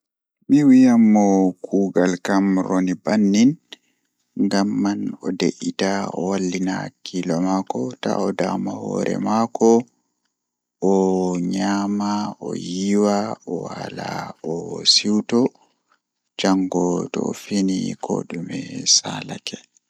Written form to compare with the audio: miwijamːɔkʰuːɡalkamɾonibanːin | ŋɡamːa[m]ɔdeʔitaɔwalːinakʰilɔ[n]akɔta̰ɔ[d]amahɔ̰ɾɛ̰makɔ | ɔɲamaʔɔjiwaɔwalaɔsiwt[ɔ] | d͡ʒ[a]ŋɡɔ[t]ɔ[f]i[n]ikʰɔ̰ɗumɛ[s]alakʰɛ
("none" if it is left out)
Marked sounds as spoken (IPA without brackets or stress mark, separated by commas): n, m, d, ɔ, a, t, f, n, s